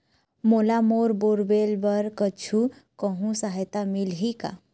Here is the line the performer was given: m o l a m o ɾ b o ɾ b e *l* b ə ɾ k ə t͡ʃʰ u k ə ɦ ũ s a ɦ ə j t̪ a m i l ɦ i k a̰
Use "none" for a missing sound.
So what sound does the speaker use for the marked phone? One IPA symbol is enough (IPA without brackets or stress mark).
l